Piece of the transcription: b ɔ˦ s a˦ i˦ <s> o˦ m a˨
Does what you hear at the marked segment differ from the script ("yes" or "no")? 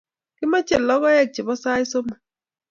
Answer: no